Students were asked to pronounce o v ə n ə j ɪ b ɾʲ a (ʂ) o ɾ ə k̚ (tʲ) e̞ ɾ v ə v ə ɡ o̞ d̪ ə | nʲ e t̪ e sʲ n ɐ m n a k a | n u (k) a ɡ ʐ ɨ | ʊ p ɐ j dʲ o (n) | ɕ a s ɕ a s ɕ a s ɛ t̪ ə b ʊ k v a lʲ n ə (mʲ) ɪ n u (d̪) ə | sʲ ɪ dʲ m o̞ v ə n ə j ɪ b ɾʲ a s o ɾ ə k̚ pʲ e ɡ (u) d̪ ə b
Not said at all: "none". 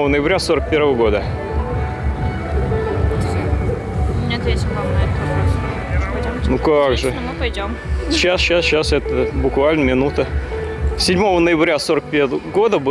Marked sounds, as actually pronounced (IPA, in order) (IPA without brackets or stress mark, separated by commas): s, pʲ, k, m, mʲ, t̪, o